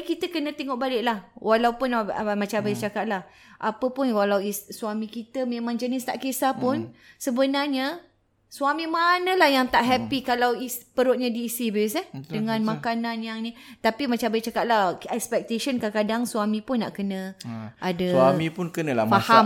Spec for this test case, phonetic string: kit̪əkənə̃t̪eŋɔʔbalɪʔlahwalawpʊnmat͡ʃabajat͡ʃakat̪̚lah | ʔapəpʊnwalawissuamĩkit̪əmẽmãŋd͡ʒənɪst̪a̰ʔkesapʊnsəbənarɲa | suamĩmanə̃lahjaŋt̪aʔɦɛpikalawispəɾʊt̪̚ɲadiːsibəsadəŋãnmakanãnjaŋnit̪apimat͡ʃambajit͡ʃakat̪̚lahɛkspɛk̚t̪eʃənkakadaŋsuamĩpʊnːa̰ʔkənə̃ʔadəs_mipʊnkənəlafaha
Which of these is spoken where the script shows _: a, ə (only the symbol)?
a